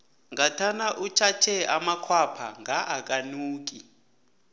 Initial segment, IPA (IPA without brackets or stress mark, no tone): ŋ